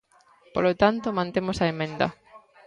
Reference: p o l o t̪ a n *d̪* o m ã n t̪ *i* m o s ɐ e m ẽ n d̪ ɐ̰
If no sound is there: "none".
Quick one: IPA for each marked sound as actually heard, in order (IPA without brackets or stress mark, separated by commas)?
t̪, e